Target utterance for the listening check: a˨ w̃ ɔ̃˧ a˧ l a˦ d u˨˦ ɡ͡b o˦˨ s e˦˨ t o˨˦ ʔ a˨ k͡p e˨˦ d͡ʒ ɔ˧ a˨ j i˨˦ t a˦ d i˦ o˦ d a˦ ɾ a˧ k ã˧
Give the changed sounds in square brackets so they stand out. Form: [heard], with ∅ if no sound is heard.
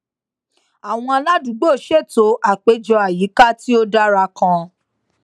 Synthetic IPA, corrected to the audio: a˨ w̃ ɔ̃˧ a˧ l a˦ d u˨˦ ɡ͡b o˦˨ [ʃ] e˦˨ t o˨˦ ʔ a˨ k͡p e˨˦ d͡ʒ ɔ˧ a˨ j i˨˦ [k] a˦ [t] i˦ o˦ d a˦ ɾ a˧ k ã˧